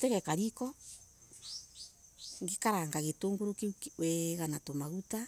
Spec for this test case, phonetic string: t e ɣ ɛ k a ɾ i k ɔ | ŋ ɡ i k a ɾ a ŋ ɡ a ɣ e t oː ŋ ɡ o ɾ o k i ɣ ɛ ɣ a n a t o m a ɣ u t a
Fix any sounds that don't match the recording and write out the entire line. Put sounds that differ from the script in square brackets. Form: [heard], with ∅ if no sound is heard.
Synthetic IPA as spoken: t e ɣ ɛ k a ɾ i k ɔ | ŋ ɡ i k a ɾ a ŋ ɡ a ɣ e t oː ŋ ɡ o ɾ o k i [w] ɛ ɣ a n a t o m a ɣ u t a